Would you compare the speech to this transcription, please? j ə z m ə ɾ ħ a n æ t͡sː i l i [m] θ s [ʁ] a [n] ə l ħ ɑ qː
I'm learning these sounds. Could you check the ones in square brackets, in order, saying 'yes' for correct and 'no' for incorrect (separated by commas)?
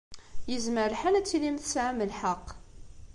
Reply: yes, no, no